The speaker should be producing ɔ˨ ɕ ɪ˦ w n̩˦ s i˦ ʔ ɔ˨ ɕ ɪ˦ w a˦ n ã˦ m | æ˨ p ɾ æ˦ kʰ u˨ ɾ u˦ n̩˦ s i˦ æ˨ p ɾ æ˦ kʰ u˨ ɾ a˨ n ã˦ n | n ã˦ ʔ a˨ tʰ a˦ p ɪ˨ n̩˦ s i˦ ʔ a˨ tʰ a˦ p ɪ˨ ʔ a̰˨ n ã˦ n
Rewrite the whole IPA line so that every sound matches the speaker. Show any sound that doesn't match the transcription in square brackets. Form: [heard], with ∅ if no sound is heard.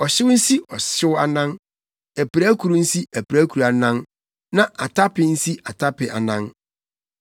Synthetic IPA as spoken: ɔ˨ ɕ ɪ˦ w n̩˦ s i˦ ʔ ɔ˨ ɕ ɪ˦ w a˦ n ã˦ [n] | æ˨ p ɾ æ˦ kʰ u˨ ɾ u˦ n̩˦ s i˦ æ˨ p ɾ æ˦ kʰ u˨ ɾ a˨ n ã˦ n | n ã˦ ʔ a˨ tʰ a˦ p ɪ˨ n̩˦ s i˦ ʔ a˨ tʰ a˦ p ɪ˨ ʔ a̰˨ n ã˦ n

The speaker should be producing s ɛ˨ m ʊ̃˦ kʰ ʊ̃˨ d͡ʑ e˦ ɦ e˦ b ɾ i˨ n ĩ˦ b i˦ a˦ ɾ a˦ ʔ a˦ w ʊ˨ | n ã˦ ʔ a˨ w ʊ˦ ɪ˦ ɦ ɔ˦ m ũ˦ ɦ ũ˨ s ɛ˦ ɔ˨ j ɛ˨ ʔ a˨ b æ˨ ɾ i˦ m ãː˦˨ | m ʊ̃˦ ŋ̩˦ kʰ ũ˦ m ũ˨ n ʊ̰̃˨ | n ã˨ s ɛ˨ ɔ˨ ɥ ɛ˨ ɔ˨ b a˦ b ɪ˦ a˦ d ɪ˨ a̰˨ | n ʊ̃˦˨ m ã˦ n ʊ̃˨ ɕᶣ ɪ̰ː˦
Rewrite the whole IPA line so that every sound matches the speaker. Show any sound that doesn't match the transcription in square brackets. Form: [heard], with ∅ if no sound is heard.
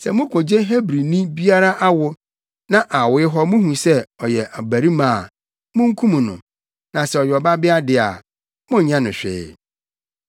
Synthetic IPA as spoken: s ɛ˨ m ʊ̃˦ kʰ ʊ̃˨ d͡ʑ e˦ ɦ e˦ b ɾ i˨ n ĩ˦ b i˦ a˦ ɾ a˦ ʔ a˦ w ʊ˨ | n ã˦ ʔ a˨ w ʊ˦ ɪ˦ ɦ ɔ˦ m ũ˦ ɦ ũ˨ s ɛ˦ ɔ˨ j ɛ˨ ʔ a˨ b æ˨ ɾ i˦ m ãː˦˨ | m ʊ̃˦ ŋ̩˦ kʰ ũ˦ m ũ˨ n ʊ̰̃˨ | n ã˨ s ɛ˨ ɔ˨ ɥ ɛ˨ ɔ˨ b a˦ b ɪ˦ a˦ d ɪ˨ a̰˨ | [m] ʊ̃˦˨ [ɲ] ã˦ n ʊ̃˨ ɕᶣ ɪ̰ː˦

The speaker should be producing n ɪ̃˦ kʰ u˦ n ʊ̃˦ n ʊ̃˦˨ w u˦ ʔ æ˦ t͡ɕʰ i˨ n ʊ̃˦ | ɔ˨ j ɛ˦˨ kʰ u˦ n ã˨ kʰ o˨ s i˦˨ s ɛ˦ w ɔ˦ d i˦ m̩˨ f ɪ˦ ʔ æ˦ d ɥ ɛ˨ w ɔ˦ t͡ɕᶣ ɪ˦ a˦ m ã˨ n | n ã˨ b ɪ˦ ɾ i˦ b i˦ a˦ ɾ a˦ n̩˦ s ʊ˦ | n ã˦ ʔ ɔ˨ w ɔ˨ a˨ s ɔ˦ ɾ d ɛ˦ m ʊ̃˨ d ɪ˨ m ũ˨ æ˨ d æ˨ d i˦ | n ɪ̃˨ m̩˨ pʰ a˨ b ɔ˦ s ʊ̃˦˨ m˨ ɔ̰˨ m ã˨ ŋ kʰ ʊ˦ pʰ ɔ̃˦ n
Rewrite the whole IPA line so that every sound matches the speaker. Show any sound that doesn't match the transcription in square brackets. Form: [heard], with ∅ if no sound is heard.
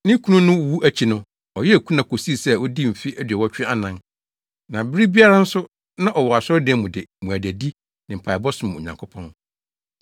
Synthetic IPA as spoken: n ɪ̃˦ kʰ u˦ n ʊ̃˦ n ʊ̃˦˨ w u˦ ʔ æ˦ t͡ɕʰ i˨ n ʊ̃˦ | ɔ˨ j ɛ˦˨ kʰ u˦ n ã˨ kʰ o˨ s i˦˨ s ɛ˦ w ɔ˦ d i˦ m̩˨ f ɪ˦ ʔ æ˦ d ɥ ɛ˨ w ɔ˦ t͡ɕᶣ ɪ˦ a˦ [n] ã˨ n | n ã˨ b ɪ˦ ɾ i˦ b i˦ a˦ ɾ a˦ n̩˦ s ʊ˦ | n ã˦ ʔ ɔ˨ w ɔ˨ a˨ s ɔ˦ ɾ d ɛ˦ m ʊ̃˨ d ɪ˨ m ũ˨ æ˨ d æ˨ d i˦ | n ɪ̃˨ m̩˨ pʰ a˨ b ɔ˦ s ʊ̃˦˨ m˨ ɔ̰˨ [ɲ] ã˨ ŋ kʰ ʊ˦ pʰ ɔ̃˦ n

